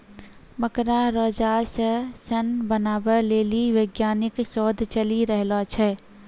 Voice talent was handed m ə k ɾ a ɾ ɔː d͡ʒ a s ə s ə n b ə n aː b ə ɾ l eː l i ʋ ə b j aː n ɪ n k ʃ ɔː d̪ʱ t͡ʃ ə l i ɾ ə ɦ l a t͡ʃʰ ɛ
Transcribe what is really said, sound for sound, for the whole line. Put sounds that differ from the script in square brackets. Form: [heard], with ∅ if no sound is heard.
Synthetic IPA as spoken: m ə k ɾ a ɾ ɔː d͡ʒ a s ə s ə n b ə n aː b ə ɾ l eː l i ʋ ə [ɡ] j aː n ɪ [∅] k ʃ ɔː d̪ʱ t͡ʃ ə l i ɾ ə ɦ l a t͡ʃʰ ɛ